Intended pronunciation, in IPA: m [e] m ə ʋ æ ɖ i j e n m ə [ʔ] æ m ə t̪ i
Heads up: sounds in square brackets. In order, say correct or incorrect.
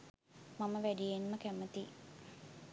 incorrect, incorrect

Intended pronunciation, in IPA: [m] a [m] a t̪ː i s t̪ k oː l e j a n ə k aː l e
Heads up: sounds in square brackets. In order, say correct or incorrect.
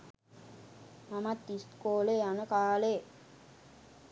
correct, correct

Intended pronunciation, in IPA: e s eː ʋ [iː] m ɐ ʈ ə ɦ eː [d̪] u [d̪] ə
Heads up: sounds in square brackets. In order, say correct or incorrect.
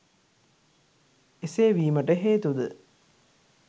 correct, incorrect, correct

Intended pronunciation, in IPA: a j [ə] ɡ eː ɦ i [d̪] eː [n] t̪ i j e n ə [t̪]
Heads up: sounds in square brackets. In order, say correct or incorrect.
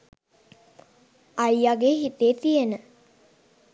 incorrect, incorrect, incorrect, incorrect

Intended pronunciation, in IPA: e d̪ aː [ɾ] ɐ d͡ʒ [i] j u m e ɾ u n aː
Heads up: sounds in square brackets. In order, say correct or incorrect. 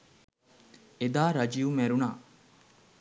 correct, correct

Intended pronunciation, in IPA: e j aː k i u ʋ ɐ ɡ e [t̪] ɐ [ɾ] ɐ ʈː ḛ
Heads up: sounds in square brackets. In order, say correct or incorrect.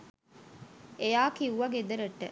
incorrect, correct

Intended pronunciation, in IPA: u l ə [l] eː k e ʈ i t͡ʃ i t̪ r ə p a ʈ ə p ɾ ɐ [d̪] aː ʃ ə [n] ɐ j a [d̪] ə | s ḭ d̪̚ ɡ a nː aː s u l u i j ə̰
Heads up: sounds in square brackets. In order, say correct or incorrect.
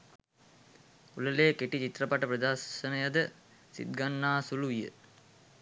correct, correct, correct, correct

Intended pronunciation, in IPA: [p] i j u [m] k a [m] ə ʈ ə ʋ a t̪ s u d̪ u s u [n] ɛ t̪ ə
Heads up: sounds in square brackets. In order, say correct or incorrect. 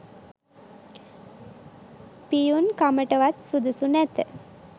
correct, incorrect, correct, correct

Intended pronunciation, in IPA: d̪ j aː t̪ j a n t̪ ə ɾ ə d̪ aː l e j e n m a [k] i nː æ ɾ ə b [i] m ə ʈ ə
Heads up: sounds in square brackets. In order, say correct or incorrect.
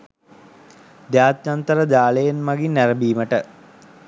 incorrect, incorrect

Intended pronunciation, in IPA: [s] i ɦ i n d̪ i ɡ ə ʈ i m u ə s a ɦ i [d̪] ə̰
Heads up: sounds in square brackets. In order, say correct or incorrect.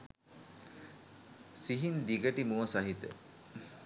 correct, incorrect

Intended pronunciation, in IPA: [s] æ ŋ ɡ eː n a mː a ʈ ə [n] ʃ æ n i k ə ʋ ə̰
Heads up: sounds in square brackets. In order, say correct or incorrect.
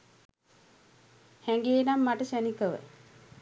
incorrect, incorrect

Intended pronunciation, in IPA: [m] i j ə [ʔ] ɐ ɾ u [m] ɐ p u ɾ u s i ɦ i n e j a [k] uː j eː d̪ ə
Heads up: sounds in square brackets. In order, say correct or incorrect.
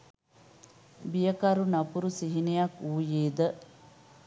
incorrect, incorrect, incorrect, correct

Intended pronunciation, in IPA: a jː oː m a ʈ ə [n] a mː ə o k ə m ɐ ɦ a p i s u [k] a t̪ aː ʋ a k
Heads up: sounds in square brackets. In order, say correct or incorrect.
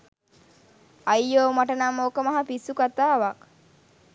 correct, correct

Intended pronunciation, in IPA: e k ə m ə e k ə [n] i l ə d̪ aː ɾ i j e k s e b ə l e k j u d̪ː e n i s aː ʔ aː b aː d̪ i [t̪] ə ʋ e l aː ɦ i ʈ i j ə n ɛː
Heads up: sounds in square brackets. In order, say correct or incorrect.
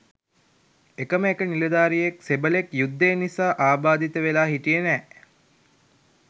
correct, correct

